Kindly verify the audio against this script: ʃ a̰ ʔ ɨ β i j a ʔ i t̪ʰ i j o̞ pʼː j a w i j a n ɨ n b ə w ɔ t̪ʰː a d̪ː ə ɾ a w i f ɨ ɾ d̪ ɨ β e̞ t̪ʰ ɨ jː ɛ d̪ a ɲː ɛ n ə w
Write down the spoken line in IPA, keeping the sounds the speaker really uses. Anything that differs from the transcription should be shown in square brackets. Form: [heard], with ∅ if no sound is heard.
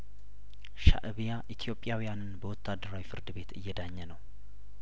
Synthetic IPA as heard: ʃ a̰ ʔ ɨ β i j a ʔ i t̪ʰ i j o̞ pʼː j a w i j a n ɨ n b ə w ɔ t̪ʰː a d̪ː ə ɾ a w i f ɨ ɾ d̪ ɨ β e̞ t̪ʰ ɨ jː ɛ d̪ a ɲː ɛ n ə w

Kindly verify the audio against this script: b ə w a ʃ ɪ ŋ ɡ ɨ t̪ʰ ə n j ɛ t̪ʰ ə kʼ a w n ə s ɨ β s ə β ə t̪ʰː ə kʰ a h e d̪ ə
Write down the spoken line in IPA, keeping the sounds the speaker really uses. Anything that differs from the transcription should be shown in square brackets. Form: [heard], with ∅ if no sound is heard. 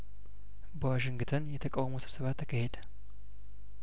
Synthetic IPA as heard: b ə w a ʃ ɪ ŋ ɡ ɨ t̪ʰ ə n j ɛ t̪ʰ ə kʼ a w [m] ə s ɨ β s ə β [a] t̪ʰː ə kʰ [ə] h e d̪ ə

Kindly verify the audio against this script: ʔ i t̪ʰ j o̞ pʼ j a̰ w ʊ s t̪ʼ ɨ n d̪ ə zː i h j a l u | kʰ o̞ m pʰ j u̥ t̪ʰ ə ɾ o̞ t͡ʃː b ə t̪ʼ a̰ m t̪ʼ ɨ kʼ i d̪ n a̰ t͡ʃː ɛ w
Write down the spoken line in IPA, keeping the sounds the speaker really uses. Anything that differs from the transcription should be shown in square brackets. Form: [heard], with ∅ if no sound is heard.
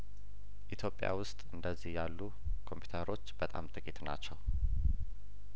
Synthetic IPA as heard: ʔ i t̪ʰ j o̞ pʼ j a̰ w ʊ s t̪ʼ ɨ n d̪ ə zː i h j a [lː] u | kʰ o̞ m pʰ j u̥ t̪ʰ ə ɾ o̞ t͡ʃː b ə t̪ʼ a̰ m t̪ʼ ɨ kʼ i [t̪] n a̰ t͡ʃː ɛ w

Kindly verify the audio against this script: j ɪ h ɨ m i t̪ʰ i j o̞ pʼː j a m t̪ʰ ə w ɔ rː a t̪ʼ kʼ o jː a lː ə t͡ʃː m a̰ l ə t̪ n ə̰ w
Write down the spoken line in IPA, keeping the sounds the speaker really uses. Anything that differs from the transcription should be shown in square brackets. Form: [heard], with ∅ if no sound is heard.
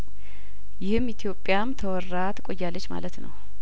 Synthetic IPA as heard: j ɪ h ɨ m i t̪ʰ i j o̞ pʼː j a m t̪ʰ ə w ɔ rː a [t̪] kʼ o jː a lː ə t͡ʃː m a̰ l ə t̪ n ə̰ w

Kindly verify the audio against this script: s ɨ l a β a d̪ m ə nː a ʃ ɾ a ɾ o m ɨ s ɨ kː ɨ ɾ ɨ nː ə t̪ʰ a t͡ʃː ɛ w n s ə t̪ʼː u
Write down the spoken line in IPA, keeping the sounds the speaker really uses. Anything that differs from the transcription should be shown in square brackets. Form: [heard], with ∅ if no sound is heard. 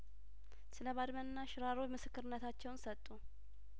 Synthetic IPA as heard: s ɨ l [ə] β a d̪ m ə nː a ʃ ɾ a ɾ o m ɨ s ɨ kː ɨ ɾ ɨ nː ə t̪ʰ a t͡ʃː ɛ w n s ə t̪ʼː u

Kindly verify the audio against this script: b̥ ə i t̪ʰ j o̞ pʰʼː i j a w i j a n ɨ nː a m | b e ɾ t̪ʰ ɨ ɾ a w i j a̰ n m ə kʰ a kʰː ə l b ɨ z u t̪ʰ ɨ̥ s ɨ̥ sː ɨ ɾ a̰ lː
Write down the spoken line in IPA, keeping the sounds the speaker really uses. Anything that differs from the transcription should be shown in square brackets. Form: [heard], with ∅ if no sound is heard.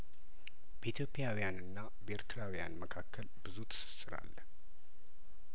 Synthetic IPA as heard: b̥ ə i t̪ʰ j o̞ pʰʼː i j a w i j a n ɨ nː a [∅] | b e ɾ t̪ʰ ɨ ɾ a w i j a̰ n m ə kʰ a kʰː ə l b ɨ z u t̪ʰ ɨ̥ s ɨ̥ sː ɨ ɾ a̰ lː

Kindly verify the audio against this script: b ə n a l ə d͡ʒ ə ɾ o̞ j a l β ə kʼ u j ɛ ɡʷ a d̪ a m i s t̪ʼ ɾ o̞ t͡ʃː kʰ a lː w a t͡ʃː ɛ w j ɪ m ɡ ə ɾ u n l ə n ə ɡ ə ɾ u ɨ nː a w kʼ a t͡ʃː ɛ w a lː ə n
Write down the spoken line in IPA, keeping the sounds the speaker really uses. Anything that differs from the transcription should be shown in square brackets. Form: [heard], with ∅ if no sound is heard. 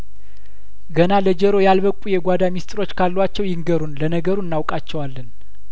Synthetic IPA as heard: [ɡ] ə n a l ə d͡ʒ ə ɾ o̞ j a l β ə kʼ u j ɛ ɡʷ a d̪ a m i s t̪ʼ ɾ o̞ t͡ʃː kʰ a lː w a t͡ʃː ɛ w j ɪ [ŋ] ɡ ə ɾ u n l ə n ə ɡ ə ɾ u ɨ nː a w kʼ a t͡ʃː ɛ w a lː ə n

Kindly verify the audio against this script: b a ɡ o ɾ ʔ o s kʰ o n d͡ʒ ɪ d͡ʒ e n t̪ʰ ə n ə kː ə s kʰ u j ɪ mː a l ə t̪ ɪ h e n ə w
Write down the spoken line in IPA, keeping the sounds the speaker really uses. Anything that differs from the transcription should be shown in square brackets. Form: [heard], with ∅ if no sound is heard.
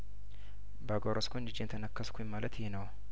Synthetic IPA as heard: b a ɡ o ɾ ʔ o s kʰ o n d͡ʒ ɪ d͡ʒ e n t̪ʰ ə n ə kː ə s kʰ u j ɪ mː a l ə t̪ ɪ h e n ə w

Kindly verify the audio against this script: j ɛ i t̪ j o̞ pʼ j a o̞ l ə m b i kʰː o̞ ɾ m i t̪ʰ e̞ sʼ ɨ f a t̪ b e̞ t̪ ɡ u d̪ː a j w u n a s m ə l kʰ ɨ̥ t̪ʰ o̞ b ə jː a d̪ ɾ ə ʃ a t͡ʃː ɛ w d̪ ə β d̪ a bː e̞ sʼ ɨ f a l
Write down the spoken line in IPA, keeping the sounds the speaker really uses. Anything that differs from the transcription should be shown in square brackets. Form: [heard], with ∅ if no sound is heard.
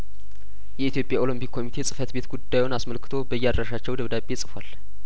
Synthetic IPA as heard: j ɛ i t̪ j o̞ pʼ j a o̞ l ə m [p] i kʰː o̞ [∅] m i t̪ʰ e̞ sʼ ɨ f [ə] t̪ b e̞ t̪ ɡ u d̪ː a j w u n a s m ə l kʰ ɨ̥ t̪ʰ o̞ b ə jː a d̪ ɾ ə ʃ a t͡ʃː ɛ w d̪ ə β d̪ a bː e̞ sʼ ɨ f a l

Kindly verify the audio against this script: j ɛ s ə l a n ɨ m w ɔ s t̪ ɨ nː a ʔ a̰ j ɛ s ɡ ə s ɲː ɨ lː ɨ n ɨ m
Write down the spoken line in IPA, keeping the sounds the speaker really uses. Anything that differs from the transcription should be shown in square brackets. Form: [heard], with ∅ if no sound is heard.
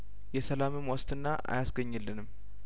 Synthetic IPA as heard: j ɛ s ə l a [m] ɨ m w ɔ s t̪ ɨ nː a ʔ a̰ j [a] s ɡ ə [∅] ɲː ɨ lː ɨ n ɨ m

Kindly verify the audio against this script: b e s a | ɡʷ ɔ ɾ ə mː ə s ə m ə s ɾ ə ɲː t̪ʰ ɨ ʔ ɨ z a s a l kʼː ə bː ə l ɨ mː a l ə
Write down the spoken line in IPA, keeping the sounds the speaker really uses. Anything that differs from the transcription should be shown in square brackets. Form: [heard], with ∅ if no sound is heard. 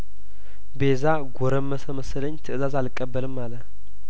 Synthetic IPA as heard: b e [z] a | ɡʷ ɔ ɾ ə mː ə s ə m ə s [l] ə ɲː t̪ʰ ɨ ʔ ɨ z a [z] a l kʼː ə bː ə l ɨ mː a l ə

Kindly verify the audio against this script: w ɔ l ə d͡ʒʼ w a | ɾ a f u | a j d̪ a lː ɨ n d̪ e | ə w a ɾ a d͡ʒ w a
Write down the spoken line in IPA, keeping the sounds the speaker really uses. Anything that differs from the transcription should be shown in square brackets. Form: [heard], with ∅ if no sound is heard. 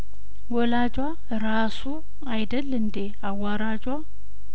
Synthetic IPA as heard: w ɔ l [a] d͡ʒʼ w a | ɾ a [s] u | a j d̪ [ə] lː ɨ n d̪ e | [a] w a ɾ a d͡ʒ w a

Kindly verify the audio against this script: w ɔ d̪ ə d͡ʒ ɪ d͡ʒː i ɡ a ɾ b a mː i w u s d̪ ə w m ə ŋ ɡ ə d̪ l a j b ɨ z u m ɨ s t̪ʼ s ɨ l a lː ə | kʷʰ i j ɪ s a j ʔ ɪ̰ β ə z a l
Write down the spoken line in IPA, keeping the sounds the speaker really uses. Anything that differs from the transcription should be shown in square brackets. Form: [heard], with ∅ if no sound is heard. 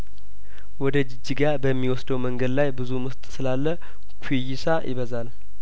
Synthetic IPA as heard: w ɔ d̪ ə d͡ʒ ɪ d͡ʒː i ɡ a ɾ b [ə] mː i w [ɔ] s d̪ ə w m ə ŋ ɡ ə d̪ l a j b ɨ z u m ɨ s t̪ʼ s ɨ l a lː ə | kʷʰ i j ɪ s a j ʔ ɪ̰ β ə z a l

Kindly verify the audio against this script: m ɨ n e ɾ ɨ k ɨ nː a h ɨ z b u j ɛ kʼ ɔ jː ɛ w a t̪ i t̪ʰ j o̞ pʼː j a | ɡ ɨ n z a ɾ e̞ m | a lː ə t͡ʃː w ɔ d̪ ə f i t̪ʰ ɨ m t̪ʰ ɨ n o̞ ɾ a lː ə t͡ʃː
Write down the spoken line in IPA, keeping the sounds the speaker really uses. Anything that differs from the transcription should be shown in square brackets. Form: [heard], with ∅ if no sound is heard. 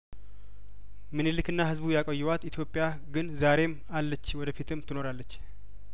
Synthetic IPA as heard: m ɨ n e [l] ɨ k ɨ nː a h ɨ z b u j [a] kʼ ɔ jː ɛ w a t̪ i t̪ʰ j o̞ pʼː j a | ɡ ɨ n z a ɾ e̞ m | a lː ə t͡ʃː w ɔ d̪ ə f i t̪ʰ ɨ m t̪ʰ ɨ n o̞ ɾ a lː ə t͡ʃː

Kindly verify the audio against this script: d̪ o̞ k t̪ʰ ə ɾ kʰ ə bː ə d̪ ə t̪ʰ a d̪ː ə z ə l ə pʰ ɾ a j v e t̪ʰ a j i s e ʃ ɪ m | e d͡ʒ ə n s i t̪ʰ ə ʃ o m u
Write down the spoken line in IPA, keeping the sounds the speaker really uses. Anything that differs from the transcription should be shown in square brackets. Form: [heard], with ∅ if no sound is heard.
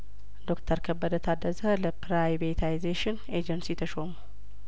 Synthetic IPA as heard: d̪ o̞ k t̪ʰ ə ɾ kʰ ə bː ə d̪ ə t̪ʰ a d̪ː ə z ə l ə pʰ ɾ a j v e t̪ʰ a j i [z] e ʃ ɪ [n] | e d͡ʒ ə n s i t̪ʰ ə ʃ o m u

